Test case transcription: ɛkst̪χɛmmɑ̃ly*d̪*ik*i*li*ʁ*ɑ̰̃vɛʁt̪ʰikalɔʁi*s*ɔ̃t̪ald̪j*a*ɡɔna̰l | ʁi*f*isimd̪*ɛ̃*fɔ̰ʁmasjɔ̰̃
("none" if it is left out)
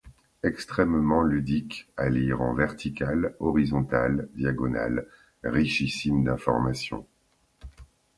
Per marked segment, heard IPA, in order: d̪, a, ʁ, z, a, ʃ, ɛ̃

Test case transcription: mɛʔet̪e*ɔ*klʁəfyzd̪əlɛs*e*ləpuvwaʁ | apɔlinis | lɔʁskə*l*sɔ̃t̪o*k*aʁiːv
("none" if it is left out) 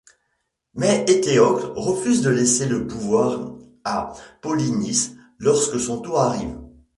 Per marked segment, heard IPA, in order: ɔ, e, none, none

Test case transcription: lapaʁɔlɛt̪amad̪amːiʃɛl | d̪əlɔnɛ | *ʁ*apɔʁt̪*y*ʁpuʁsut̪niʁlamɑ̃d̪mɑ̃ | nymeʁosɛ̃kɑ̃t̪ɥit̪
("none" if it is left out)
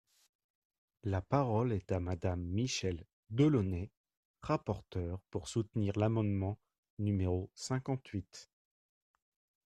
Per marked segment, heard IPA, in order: ʁ, œ

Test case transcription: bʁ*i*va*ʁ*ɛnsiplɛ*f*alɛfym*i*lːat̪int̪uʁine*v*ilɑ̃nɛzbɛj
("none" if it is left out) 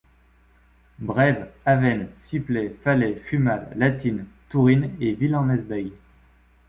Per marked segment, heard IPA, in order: ɛ, v, f, a, v

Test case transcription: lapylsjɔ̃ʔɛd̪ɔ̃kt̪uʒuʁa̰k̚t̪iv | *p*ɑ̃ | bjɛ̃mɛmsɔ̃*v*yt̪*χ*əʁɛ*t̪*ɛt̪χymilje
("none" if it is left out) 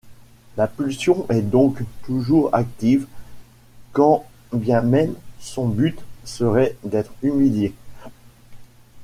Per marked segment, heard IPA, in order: k, b, s, d̪

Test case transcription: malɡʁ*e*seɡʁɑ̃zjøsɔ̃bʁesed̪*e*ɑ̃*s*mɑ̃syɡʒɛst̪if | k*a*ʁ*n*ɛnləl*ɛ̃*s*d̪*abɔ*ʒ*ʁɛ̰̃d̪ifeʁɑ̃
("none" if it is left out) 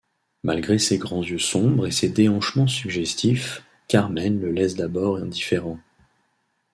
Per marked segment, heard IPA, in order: e, e, ʃ, a, m, ɛ, d̪, none

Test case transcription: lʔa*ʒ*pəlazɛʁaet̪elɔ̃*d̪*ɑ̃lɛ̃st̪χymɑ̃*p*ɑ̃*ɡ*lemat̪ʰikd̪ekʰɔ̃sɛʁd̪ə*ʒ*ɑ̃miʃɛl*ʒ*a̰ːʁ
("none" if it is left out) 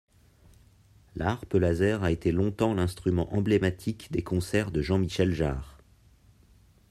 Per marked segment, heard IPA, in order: ʁ, t̪, ʔ, b, ʒ, ʒ

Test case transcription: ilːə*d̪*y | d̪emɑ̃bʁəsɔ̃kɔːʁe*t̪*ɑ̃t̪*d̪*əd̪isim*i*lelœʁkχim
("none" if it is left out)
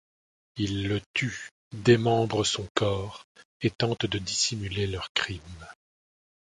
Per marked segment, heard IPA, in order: t̪, t̪, d̪, y

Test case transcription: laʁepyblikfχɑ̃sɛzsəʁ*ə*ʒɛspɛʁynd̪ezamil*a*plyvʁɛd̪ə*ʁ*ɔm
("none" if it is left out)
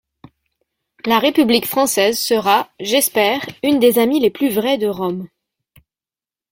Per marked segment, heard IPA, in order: a, e, ʁ

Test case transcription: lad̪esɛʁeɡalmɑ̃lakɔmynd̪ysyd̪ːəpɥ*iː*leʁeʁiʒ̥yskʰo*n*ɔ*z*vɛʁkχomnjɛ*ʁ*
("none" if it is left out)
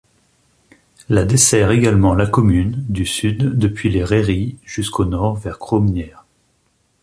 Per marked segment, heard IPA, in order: i, n, ʁ, ʁ

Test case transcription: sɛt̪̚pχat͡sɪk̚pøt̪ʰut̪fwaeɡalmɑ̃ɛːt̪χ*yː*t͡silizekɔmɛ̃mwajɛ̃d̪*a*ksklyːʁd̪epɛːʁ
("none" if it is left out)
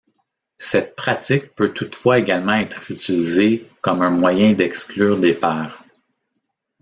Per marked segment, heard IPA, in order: y, ɛ

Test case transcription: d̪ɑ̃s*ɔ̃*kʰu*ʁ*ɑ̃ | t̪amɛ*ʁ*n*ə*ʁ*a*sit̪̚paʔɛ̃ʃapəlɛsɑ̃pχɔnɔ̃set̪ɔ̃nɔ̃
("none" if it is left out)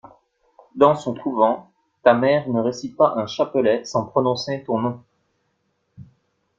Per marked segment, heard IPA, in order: ɔ̃, v, ʁ, ə, e

